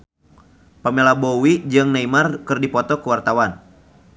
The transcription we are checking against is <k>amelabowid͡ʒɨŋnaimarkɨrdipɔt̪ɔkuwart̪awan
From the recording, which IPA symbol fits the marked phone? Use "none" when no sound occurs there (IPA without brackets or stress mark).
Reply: p